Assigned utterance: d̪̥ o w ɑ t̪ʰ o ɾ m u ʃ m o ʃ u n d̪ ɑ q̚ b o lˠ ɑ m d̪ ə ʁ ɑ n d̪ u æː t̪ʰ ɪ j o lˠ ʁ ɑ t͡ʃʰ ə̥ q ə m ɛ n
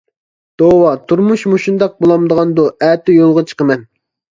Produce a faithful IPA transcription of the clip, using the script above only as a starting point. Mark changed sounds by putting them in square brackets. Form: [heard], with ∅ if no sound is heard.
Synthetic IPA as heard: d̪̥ o w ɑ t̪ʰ [u] ɾ m u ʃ m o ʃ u n d̪ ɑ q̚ b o lˠ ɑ m d̪ ə ʁ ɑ n d̪ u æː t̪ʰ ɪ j o lˠ ʁ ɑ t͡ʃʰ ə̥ q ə m ɛ n